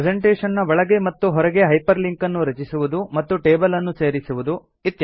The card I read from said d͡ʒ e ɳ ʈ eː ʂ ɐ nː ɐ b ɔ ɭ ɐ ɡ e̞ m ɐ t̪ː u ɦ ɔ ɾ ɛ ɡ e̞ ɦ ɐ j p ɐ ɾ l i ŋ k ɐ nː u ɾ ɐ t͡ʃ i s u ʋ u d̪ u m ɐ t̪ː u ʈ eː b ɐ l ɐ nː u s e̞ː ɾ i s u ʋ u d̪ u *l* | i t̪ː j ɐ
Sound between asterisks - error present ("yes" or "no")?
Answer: yes